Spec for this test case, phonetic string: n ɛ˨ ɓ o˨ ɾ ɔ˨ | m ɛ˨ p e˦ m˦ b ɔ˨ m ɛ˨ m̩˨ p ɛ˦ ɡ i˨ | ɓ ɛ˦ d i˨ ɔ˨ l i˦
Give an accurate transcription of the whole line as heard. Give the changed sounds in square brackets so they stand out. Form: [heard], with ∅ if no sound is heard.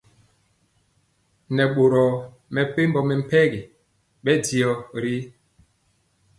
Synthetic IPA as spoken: n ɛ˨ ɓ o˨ ɾ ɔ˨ | m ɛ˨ p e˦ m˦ b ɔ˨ m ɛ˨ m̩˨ p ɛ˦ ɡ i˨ | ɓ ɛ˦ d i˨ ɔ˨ [ɾ] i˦